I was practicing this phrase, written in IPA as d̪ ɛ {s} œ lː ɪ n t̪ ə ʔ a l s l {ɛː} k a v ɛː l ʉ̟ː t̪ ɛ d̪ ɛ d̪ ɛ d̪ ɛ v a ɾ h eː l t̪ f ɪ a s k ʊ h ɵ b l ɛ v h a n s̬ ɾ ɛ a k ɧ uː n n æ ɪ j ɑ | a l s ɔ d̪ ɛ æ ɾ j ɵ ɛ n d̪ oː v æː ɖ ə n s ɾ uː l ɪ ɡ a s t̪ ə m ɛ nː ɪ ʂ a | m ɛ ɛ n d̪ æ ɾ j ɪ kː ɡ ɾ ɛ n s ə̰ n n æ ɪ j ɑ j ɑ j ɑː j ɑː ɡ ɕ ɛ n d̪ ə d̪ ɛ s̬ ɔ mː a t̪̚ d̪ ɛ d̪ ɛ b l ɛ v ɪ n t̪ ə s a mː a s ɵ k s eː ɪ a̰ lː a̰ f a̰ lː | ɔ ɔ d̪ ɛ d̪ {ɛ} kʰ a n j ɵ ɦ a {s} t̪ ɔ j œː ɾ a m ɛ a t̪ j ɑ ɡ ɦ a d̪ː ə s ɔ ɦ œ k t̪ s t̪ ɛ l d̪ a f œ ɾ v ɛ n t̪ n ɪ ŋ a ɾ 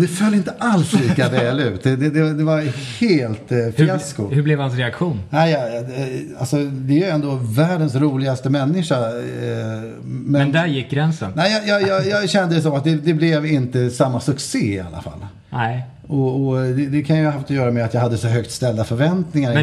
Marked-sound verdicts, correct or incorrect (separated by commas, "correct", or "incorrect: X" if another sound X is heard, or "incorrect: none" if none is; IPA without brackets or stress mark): incorrect: f, incorrect: iː, correct, incorrect: f